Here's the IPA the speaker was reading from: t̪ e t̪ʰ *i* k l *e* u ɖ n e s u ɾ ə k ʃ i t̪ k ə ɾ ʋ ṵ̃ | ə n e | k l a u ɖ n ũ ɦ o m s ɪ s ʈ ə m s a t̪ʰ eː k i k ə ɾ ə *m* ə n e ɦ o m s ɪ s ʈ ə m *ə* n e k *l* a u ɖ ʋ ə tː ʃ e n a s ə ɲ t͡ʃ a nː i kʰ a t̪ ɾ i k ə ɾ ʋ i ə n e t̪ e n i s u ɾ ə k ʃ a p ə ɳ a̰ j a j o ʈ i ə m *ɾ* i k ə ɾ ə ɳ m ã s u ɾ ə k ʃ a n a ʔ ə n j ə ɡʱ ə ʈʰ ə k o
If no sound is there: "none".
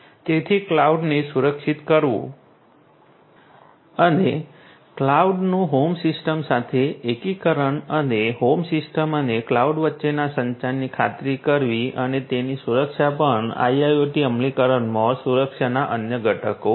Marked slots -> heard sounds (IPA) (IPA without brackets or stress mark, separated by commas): i, a, ɳ, ə, l, l